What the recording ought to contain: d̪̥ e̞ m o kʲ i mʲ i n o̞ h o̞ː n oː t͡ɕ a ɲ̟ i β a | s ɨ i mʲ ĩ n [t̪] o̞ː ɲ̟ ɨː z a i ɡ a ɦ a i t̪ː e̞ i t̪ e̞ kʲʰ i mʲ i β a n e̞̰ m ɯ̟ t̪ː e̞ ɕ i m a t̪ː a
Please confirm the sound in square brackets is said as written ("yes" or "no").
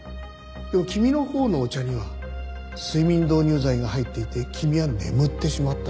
no